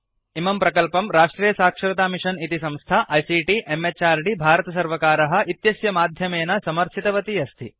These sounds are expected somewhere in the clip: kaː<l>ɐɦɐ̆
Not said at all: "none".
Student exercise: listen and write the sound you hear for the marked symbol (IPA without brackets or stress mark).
ɾ